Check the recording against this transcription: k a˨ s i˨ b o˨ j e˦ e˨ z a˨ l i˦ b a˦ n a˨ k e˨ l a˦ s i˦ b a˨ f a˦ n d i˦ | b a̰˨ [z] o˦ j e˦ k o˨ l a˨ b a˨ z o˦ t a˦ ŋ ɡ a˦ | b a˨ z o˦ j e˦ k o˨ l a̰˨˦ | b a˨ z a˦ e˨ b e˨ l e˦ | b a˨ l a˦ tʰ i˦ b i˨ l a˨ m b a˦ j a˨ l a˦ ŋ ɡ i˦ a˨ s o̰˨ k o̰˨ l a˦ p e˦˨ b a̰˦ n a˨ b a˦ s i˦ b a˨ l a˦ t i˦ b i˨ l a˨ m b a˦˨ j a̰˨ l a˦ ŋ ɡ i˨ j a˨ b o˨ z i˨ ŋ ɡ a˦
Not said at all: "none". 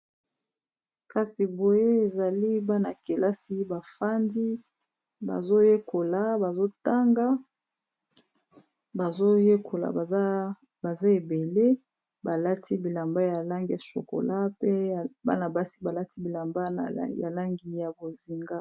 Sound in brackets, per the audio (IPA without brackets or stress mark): z